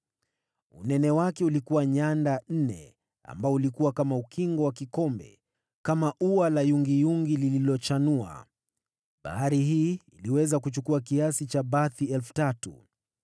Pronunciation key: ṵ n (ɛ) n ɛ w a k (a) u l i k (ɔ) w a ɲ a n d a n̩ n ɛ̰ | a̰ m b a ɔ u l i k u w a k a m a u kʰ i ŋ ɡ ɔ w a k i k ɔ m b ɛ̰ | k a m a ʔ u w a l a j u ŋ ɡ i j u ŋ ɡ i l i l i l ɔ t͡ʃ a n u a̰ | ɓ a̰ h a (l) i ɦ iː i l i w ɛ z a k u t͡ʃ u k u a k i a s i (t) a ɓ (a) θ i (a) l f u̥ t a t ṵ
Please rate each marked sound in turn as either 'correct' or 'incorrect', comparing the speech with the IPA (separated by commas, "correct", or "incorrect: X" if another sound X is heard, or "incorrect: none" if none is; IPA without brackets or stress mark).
correct, incorrect: ɛ, incorrect: u, incorrect: ɾ, incorrect: t͡ʃ, correct, incorrect: ɛ